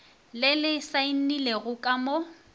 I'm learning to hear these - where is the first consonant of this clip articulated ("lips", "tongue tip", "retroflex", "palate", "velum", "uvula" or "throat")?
tongue tip